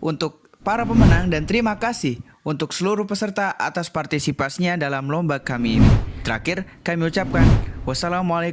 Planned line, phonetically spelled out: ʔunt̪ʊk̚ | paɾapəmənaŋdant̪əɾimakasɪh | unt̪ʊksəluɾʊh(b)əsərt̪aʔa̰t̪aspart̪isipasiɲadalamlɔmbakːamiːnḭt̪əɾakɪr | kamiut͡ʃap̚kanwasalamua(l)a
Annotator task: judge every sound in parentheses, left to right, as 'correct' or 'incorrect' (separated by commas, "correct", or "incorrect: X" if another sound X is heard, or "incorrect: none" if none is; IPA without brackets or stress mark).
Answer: incorrect: p, correct